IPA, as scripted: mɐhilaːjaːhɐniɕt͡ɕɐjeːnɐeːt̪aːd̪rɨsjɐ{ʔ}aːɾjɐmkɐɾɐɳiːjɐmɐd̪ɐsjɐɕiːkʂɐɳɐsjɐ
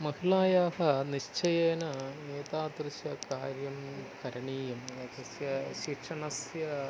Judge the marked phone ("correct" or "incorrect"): incorrect